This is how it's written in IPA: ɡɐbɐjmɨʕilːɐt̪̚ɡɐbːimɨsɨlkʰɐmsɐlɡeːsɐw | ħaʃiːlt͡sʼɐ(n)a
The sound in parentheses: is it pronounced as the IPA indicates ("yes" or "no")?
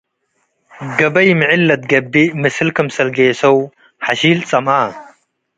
no